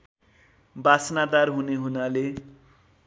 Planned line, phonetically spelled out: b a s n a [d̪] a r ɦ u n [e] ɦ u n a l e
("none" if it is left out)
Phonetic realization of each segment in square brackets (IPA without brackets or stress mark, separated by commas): d̪, e